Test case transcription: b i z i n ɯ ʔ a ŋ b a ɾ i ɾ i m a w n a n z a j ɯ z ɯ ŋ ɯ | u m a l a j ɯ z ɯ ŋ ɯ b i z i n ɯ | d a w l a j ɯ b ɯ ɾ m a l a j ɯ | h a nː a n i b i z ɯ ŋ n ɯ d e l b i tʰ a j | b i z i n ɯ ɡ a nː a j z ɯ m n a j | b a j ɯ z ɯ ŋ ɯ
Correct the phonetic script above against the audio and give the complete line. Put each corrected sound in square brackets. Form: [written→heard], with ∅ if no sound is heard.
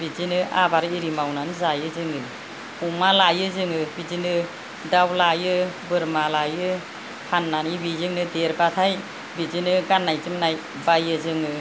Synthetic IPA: b i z i n ɯ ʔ a [ŋ→∅] b a ɾ i ɾ i m a w n a n z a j ɯ z ɯ ŋ ɯ | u m a l a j ɯ z ɯ ŋ ɯ b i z i n ɯ | d a w l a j ɯ b ɯ ɾ m a l a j ɯ | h a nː a n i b i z ɯ ŋ n ɯ d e [l→ɾ] b [i→a] tʰ a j | b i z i n ɯ ɡ a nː a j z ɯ m n a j | b a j ɯ z ɯ ŋ ɯ